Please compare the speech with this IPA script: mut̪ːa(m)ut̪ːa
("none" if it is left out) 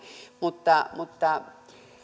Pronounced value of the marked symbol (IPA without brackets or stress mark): m